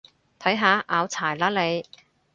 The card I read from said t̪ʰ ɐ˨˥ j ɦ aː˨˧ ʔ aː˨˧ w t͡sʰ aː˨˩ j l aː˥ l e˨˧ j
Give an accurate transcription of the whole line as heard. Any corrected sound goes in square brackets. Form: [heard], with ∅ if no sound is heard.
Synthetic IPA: t̪ʰ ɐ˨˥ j ɦ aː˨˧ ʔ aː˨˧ w t͡sʰ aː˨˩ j l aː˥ l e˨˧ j